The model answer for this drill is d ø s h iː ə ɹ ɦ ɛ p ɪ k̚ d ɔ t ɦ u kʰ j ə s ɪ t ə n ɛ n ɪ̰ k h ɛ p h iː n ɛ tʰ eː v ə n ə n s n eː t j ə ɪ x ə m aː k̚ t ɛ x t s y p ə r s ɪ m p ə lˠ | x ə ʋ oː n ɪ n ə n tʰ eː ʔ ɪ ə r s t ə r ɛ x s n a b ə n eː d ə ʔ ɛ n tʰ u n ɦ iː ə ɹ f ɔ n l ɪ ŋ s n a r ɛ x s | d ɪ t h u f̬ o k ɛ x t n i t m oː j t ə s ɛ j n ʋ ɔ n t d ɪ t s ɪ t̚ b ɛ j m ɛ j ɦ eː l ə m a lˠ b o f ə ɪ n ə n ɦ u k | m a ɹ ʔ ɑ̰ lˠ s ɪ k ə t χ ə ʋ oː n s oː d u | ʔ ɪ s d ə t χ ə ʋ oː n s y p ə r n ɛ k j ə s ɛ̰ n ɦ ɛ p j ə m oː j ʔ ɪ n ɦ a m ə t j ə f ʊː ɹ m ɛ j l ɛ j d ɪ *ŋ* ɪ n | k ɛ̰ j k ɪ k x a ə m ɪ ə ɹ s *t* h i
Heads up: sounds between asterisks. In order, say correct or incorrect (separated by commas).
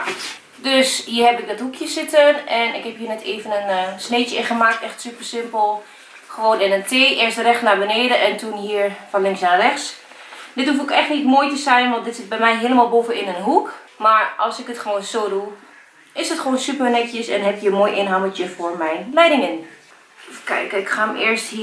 correct, correct